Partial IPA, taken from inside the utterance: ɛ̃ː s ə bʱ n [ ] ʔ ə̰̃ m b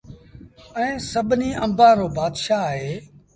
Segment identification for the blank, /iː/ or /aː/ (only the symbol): iː